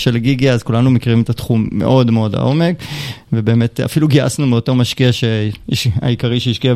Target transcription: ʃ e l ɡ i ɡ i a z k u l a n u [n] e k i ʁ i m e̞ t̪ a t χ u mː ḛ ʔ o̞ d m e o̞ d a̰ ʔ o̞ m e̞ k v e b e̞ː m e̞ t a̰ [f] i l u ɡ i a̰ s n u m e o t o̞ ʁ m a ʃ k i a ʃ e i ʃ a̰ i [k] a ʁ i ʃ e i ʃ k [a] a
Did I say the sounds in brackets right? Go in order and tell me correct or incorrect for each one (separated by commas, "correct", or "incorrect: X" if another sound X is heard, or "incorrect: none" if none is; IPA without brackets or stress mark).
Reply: incorrect: m, correct, correct, incorrect: i